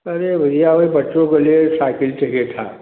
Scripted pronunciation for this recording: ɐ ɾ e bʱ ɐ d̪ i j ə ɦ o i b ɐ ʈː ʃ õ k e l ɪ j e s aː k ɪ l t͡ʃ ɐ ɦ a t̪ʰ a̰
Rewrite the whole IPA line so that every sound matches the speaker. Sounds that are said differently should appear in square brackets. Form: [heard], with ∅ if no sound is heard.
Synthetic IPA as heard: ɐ ɾ e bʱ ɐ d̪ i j [a] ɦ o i b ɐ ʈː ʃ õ k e l [i] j e s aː k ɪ l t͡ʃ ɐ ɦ [e] t̪ʰ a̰